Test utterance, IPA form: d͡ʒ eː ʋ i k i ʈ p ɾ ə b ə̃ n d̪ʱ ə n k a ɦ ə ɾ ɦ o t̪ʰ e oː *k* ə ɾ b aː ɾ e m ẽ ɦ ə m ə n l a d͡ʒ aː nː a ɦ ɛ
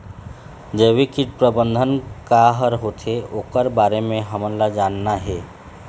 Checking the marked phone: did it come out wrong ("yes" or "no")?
no